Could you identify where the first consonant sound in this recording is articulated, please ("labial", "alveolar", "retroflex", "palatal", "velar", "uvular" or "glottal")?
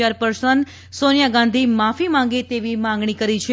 alveolar